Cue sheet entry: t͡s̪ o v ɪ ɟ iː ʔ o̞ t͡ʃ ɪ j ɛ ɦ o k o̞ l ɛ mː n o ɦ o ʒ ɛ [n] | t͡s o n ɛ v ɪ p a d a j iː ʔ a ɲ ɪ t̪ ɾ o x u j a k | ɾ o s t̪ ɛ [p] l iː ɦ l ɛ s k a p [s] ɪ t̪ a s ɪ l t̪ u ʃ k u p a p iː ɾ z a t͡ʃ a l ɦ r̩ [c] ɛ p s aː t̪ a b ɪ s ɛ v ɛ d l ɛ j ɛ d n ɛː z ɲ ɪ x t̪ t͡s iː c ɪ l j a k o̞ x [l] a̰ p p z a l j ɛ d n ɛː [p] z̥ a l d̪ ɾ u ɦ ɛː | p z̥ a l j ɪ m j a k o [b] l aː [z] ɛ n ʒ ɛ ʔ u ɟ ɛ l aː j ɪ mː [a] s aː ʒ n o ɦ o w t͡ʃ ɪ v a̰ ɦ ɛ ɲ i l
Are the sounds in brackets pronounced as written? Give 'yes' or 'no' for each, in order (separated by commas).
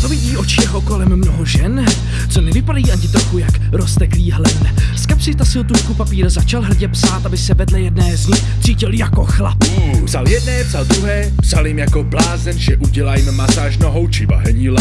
yes, no, yes, no, yes, yes, yes, yes, yes